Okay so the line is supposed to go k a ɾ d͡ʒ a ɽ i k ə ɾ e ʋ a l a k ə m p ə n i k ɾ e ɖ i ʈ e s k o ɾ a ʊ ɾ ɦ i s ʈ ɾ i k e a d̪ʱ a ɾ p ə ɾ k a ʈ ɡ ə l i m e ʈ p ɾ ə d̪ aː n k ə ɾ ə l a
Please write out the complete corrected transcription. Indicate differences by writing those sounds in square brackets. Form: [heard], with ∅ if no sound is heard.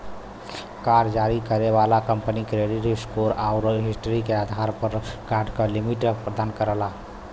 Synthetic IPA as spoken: k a ɾ d͡ʒ a [ɾ] i k ə ɾ e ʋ a l a k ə m p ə n i k ɾ e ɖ i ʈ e s k o ɾ a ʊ ɾ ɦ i s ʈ ɾ i k e a d̪ʱ a ɾ p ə ɾ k a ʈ [k] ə l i m [i] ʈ p ɾ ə d̪ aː n k ə ɾ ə l a